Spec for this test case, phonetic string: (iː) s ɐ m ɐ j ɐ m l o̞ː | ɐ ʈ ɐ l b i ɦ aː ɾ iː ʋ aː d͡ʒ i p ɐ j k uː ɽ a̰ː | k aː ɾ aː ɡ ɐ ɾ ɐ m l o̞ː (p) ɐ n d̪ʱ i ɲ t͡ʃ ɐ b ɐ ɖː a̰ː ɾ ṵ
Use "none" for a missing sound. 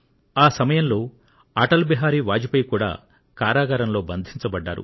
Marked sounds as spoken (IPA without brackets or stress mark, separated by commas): aː, b